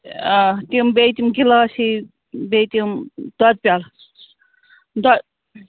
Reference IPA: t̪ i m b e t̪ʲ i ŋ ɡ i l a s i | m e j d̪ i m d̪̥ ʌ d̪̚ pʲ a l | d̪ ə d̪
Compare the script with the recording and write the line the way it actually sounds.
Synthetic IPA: t̪ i m b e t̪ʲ i m ɡ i l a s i | b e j t̪ i m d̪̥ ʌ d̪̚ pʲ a l | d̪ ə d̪